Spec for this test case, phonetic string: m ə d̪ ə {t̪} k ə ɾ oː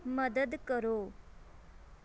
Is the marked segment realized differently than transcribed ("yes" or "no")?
yes